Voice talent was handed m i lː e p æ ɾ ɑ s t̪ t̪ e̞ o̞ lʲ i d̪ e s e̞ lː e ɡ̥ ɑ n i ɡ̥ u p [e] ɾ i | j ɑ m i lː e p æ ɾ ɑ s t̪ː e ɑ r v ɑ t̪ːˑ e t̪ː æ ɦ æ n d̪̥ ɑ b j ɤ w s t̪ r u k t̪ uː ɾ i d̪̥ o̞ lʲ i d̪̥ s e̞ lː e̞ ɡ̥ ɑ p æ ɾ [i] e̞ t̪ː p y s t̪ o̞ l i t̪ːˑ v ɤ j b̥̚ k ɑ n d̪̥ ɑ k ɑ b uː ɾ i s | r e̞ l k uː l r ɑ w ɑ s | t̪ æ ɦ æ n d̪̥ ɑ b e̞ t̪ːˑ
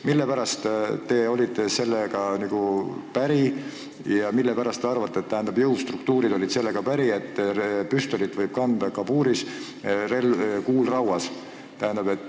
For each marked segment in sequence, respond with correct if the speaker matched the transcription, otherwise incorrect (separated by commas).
incorrect, correct